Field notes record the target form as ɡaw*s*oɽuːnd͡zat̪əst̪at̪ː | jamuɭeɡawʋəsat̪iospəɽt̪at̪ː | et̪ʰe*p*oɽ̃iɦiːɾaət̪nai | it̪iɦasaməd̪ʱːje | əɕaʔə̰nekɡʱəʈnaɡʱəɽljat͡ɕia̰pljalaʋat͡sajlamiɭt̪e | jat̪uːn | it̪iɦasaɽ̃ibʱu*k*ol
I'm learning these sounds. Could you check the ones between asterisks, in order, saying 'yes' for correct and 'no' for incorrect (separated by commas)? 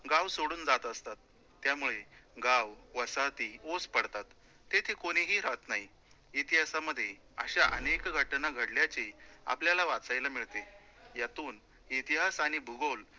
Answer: yes, no, no